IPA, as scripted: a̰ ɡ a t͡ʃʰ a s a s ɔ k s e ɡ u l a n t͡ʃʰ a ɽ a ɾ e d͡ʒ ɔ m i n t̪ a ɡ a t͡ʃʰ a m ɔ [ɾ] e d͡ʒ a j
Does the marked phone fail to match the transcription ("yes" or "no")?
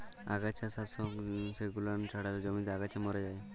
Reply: no